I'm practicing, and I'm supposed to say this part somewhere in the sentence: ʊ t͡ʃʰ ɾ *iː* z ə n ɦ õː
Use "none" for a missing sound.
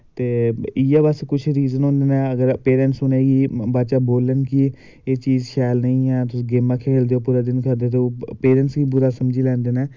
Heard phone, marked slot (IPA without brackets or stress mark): iː